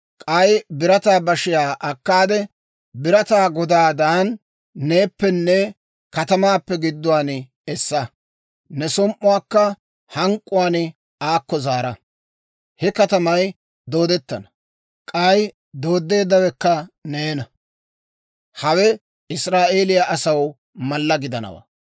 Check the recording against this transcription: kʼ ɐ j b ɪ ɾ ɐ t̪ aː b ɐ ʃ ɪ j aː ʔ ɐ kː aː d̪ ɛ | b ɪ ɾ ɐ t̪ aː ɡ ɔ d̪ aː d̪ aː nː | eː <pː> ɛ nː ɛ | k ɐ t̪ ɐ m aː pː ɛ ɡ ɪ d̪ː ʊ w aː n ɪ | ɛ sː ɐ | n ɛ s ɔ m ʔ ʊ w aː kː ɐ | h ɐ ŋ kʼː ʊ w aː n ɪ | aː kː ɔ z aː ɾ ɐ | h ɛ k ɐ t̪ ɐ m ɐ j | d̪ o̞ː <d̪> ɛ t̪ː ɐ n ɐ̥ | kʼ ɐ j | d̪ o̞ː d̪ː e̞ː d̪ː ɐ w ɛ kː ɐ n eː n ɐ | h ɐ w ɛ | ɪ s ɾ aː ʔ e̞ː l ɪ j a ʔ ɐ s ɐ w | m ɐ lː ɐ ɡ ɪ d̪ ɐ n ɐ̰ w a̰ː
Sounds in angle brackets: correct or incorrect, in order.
correct, correct

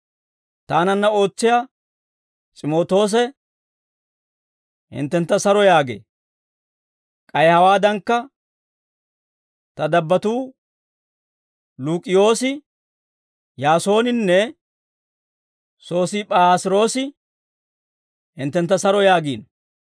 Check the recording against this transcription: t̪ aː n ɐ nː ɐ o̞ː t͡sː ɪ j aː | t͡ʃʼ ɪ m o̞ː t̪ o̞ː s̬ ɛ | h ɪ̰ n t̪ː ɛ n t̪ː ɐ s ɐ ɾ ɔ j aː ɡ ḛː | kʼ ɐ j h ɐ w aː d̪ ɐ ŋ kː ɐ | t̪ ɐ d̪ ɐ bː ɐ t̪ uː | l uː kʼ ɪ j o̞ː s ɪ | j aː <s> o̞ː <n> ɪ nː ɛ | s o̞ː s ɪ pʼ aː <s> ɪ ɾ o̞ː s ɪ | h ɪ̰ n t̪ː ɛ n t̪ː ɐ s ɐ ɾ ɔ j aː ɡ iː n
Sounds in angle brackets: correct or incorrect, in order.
correct, correct, correct

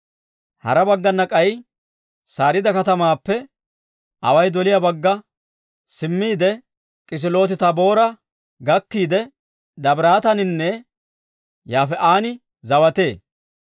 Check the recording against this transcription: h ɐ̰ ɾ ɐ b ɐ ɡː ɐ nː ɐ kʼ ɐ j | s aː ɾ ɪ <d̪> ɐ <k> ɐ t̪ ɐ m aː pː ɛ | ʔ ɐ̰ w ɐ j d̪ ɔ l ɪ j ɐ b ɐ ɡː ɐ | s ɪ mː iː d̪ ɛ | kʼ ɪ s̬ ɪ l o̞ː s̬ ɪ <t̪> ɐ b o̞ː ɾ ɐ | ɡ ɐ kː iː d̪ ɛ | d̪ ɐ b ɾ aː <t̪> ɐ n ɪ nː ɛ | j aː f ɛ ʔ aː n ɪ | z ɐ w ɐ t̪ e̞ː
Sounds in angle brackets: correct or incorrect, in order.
correct, correct, correct, correct

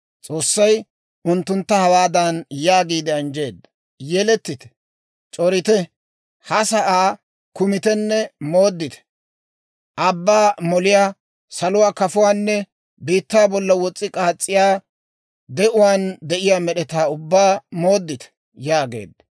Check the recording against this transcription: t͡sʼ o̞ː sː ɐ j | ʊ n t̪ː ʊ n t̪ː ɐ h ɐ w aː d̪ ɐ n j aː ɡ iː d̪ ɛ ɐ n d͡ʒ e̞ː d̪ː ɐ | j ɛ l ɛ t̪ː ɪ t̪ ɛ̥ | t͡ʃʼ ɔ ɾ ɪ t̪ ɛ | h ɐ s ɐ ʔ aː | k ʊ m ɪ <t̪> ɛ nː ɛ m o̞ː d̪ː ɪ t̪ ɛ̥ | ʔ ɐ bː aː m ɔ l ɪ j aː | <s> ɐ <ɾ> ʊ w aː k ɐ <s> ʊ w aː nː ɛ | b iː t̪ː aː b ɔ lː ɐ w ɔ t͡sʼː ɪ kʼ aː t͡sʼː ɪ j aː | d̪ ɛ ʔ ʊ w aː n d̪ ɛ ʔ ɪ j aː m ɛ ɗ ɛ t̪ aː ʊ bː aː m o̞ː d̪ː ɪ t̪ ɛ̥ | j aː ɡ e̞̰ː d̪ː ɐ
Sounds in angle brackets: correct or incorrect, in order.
correct, correct, incorrect: l, incorrect: f

